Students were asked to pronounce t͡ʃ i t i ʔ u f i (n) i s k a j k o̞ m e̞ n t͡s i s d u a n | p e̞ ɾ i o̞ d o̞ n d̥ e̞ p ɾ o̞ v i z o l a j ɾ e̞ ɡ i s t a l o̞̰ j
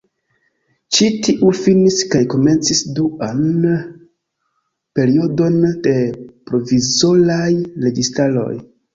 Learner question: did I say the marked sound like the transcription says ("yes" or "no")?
yes